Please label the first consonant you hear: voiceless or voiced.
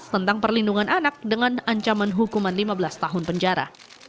voiceless